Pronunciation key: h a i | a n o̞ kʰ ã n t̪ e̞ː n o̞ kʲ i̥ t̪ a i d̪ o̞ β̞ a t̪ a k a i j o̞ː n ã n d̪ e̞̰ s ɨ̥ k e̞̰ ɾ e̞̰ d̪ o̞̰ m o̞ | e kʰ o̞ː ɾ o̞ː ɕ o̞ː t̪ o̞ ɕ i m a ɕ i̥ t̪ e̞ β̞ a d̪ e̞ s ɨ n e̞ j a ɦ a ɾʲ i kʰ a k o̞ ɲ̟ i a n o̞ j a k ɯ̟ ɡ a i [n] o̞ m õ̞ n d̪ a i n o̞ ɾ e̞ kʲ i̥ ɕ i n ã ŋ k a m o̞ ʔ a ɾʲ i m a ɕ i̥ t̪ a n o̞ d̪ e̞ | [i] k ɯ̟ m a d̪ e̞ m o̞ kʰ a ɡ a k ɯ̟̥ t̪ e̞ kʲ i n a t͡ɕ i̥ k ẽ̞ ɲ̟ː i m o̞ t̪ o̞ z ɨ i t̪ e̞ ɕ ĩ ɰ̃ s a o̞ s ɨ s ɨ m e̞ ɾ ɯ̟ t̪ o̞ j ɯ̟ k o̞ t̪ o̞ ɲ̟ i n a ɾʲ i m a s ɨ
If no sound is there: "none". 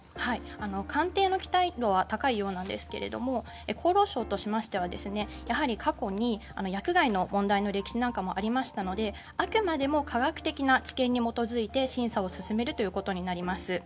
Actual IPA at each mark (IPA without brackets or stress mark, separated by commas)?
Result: n, a